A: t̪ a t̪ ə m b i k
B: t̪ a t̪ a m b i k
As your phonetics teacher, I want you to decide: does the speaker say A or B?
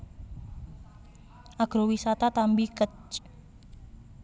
B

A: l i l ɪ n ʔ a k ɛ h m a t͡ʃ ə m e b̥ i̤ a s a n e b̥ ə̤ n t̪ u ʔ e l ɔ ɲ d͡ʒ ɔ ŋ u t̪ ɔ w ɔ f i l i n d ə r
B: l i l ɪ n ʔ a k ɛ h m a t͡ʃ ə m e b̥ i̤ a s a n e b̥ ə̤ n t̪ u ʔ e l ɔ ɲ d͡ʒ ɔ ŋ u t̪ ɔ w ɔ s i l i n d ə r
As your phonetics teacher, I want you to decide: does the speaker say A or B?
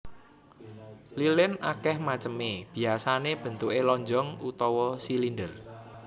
B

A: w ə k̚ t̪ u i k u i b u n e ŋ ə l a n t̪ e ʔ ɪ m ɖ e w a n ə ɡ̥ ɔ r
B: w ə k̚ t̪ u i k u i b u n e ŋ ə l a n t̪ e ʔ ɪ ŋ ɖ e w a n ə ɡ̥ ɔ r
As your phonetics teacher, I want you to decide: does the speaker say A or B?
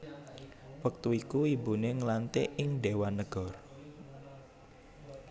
B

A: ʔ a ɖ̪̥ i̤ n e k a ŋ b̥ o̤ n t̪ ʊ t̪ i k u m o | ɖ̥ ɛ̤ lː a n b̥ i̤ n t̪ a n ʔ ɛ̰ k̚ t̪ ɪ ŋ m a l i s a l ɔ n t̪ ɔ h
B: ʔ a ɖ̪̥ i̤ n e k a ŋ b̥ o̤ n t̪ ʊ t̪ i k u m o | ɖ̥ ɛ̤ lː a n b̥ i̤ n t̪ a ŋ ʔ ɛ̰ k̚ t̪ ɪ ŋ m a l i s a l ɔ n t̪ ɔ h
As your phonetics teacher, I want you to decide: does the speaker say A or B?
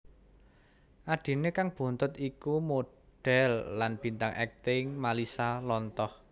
B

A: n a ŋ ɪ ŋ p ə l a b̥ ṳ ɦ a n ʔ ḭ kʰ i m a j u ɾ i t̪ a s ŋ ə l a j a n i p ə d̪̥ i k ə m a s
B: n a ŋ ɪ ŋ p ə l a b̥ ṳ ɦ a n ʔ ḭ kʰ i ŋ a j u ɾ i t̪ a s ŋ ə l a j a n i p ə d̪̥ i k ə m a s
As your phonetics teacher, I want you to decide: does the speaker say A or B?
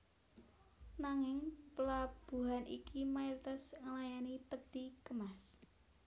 A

